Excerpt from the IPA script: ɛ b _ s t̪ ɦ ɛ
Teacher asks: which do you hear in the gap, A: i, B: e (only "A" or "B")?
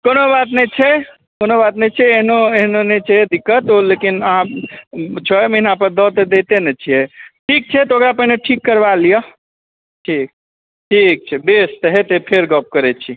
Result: B